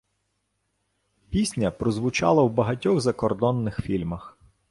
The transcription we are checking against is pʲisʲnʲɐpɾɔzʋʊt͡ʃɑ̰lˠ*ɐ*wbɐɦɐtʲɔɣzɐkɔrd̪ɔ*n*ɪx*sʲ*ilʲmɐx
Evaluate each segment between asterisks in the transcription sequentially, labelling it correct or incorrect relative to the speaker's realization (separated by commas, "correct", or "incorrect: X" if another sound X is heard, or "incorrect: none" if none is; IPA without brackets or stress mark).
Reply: correct, incorrect: nː, incorrect: fʲ